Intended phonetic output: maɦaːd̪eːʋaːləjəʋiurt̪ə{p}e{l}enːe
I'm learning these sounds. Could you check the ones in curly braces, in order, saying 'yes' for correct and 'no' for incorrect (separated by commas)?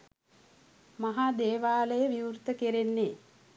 no, no